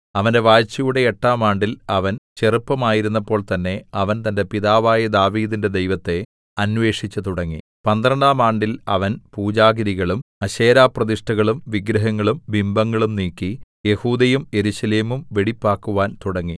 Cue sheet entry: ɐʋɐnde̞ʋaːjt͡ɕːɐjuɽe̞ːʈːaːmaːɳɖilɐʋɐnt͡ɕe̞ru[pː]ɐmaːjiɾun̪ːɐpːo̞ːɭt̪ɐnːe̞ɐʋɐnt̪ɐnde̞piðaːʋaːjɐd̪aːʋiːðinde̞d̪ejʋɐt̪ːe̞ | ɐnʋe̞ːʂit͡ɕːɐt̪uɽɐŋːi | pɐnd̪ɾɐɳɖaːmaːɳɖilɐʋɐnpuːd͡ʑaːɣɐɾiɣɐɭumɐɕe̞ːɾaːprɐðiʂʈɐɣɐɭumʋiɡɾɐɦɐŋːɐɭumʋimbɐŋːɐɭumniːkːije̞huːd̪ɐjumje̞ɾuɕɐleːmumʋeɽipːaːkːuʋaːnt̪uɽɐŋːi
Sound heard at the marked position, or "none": pː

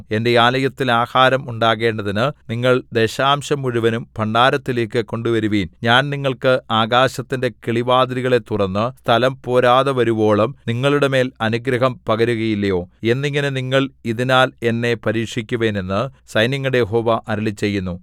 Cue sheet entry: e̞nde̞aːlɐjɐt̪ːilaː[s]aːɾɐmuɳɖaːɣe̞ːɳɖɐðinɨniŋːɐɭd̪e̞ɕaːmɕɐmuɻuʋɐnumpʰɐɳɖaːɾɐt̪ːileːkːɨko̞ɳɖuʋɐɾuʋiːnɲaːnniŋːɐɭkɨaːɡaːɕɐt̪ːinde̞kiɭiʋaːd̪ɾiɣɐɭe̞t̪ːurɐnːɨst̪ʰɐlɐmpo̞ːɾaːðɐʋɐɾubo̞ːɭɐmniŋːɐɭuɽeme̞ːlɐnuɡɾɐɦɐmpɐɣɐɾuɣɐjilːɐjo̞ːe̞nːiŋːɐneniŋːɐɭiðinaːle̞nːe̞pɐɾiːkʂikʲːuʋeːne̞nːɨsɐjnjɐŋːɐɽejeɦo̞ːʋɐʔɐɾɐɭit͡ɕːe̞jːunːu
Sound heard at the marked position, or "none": h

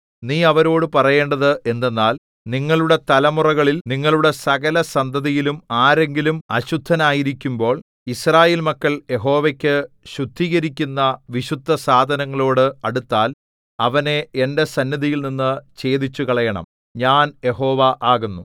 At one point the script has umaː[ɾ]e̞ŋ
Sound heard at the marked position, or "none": ɾ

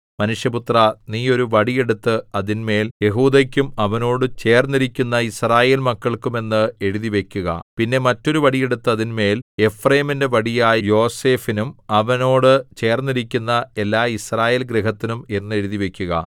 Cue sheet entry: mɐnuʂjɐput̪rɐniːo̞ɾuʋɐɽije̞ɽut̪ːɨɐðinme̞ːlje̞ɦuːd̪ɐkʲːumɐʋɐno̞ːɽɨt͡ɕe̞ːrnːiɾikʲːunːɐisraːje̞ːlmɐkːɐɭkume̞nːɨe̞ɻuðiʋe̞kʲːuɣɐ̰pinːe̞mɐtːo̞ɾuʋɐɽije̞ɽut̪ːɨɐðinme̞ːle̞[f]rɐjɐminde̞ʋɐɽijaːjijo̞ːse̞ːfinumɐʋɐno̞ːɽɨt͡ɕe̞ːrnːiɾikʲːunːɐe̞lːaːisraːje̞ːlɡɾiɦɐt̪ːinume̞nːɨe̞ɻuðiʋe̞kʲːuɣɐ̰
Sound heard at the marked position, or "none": f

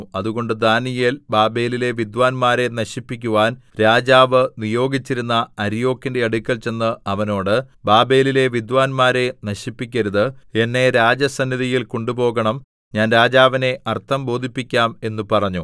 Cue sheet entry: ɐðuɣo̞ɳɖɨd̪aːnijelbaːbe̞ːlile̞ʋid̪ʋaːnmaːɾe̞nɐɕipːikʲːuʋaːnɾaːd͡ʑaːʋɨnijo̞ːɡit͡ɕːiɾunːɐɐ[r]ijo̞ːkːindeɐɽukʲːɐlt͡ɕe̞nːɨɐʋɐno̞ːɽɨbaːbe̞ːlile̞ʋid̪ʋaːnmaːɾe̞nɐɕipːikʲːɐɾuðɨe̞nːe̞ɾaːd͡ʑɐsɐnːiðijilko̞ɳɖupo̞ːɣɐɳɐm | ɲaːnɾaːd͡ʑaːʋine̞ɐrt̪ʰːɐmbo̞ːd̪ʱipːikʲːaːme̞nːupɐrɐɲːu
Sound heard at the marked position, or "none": ɾ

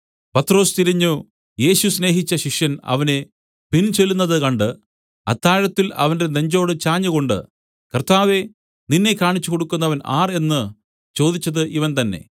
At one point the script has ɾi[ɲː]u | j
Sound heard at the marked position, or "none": ɲː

